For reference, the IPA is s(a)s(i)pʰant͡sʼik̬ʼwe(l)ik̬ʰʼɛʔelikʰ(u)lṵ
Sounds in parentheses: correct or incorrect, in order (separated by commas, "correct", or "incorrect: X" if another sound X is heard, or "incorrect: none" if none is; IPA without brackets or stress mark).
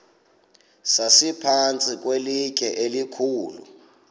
correct, correct, correct, incorrect: uː